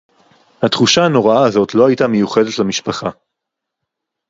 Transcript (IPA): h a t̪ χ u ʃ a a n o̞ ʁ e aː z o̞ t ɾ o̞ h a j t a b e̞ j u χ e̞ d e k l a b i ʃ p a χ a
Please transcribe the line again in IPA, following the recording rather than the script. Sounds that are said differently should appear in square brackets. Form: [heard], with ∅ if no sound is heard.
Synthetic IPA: h a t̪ χ u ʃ a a n o̞ ʁ [a] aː z o̞ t [l] o̞ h a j t a [m] e̞ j u χ e̞ d e [t] l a [m] i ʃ p a χ a